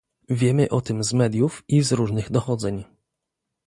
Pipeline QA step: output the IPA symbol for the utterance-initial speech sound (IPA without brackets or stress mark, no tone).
vʲ